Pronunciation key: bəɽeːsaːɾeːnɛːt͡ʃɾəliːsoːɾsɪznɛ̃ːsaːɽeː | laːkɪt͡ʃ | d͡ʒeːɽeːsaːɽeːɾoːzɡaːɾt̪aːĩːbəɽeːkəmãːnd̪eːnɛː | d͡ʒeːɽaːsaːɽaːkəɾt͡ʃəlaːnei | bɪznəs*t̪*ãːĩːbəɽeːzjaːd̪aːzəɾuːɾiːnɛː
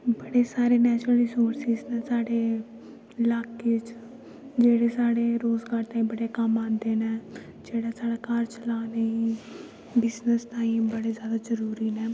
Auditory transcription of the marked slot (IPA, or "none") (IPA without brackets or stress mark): t̪